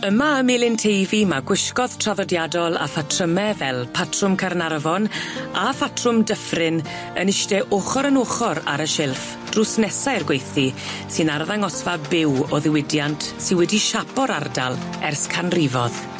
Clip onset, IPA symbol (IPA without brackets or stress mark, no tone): ə